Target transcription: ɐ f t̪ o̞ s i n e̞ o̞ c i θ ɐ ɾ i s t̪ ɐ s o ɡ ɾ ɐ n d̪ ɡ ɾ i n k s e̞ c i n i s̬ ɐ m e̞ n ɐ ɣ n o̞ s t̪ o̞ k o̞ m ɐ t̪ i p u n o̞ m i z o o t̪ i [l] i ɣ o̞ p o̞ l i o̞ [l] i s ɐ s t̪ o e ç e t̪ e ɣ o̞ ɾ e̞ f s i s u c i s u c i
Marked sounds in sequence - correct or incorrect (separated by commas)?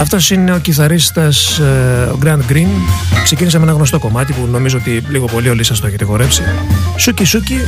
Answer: correct, correct